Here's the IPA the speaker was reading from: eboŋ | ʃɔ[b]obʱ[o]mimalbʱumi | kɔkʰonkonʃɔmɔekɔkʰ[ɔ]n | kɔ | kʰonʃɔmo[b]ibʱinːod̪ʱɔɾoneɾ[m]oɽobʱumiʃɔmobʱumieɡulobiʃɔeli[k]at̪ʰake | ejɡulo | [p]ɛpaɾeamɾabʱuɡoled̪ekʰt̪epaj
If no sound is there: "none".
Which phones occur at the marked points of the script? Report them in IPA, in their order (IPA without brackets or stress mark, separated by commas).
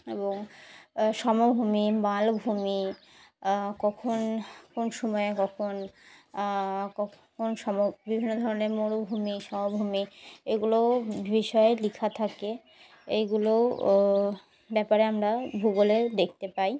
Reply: m, u, o, b, m, kʰ, b